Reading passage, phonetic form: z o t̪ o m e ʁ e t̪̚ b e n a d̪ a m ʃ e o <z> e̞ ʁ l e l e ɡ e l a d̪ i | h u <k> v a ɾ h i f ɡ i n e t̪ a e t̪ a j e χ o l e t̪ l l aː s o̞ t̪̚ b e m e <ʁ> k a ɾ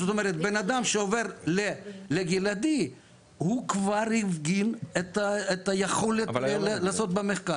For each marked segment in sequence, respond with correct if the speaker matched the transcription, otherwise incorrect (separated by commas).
incorrect, correct, incorrect